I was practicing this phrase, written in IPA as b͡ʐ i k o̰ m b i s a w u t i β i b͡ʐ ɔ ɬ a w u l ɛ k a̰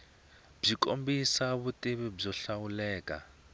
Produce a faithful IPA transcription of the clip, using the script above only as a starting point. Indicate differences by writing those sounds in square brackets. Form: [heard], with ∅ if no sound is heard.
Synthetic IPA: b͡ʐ i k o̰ m b i s a [β] u t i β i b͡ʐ ɔ ɬ a w u l [ɛː] k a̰

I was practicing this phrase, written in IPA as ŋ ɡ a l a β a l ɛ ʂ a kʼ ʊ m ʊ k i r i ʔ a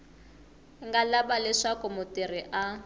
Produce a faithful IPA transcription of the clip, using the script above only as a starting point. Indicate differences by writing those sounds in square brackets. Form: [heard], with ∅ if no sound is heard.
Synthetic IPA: ŋ ɡ a l a [b] a l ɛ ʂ a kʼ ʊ m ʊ [t] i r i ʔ a

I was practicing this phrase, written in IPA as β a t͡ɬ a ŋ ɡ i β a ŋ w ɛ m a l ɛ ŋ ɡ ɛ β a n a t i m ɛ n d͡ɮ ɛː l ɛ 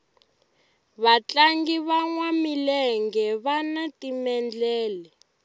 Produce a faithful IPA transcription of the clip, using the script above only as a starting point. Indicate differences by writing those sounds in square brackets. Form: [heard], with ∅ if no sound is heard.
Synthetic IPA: β a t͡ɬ a ŋ ɡ i β a ŋ w [a] m [i] l ɛ ŋ ɡ ɛ β a n a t i m ɛ n d͡ɮ ɛː l ɛ

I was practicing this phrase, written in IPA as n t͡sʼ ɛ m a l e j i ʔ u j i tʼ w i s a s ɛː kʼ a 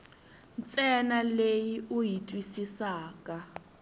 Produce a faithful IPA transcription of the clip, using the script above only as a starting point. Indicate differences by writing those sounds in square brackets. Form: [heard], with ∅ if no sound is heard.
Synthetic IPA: n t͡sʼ ɛ [n] a l e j i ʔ u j i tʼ w i s [i] s [aː] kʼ a

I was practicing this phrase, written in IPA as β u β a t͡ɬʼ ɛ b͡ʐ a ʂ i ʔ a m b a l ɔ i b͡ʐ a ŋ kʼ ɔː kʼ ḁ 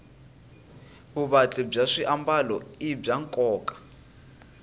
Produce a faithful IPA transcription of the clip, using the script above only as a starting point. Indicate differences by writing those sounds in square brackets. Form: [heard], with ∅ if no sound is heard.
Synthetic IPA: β u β a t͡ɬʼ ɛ b͡ʐ a ʂ i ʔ a m b a l ɔ i b͡ʐ a ŋ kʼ ɔː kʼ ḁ

